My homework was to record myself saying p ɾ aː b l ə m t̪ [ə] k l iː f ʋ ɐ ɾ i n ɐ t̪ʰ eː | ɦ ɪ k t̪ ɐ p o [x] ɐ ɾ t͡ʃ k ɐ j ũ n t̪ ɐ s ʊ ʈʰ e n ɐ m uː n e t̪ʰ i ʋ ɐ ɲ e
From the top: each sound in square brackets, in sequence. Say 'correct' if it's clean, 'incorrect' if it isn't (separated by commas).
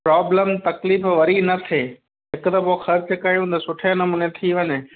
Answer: incorrect, correct